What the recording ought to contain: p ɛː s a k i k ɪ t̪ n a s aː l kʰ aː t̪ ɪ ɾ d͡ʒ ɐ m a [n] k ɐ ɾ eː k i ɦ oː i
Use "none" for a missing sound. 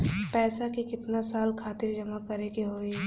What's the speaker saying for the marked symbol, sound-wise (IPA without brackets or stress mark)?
none